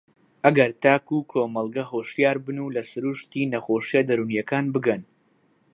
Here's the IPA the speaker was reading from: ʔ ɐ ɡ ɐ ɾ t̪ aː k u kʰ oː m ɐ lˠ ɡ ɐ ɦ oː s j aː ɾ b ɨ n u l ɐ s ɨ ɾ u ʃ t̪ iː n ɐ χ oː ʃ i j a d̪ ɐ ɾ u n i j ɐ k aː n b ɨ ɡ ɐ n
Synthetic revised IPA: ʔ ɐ ɡ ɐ ɾ t̪ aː k u kʰ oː m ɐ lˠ ɡ ɐ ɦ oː ʃ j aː ɾ b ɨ n u l ɐ s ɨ ɾ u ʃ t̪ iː n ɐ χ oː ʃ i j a d̪ ɐ ɾ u n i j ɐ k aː n b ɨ ɡ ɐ n